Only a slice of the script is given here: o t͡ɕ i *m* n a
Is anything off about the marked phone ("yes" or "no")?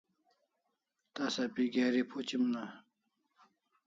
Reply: no